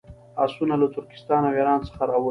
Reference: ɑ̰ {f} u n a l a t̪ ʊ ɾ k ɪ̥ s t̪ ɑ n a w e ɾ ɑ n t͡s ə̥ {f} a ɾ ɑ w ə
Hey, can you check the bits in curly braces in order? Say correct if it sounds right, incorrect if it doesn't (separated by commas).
incorrect, incorrect